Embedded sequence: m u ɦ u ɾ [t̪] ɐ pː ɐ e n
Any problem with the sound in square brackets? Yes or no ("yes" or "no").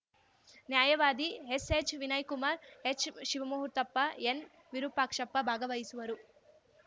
no